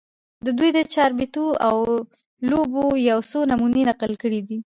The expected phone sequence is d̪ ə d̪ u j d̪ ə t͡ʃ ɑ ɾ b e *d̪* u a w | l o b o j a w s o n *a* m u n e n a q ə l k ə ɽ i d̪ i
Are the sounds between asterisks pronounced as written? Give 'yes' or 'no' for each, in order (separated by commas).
no, yes